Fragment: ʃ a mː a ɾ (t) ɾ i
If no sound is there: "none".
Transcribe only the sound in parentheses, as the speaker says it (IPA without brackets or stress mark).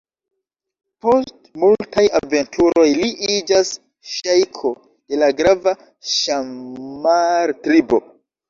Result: t